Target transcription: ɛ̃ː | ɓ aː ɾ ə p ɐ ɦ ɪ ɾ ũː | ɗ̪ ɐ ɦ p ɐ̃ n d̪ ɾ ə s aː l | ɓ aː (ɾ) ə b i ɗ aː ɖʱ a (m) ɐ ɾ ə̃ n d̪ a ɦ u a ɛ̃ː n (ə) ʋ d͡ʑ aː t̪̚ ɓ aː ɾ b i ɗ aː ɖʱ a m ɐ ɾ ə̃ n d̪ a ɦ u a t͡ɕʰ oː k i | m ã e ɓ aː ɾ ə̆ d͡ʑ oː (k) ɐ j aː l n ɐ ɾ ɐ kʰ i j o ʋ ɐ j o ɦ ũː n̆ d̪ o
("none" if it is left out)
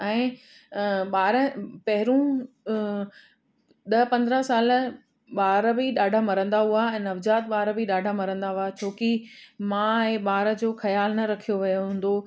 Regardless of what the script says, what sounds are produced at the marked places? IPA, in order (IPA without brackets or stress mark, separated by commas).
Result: ɾ, m, ɐ, x